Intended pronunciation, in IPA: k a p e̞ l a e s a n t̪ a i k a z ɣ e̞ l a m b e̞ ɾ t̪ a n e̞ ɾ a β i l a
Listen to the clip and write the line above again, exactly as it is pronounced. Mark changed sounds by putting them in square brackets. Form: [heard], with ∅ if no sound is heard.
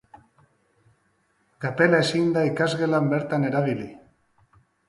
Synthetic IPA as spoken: k a p e̞ l a e s [i] n [d̪] a i k a z ɣ e̞ l a m b e̞ ɾ t̪ a n e̞ ɾ a β i l [i]